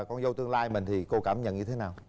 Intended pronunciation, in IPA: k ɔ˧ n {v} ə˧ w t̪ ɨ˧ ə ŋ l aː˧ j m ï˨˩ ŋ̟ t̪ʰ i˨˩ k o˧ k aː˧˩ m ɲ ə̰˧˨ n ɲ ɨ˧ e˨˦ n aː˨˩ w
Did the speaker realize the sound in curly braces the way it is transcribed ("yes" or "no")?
no